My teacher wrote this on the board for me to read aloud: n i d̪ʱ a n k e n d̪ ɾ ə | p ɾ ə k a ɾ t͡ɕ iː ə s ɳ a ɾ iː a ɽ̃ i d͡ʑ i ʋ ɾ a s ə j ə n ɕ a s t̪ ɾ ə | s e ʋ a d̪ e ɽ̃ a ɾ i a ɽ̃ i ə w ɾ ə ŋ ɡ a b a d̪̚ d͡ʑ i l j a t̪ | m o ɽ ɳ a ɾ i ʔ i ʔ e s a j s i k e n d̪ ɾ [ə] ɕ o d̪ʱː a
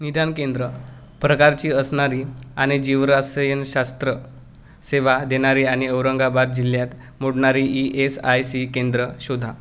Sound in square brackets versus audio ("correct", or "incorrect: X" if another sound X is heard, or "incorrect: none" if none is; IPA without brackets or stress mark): correct